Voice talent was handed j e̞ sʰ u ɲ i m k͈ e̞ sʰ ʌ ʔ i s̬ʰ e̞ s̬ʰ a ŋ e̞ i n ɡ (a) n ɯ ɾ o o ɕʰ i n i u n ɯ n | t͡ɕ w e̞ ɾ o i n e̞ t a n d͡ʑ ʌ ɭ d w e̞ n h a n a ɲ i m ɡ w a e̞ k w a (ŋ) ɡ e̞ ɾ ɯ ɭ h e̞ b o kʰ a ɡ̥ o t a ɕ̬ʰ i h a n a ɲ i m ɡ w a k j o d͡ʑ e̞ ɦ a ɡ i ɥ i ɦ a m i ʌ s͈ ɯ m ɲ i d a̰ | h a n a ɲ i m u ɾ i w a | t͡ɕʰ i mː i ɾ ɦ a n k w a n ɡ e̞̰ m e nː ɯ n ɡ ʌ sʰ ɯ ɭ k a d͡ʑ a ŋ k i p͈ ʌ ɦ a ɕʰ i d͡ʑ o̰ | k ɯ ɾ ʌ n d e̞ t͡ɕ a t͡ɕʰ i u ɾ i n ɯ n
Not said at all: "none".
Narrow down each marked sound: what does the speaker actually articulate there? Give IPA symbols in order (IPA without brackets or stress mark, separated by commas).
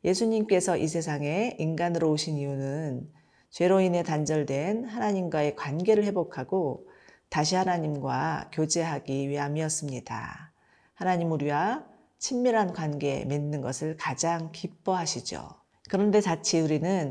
a, n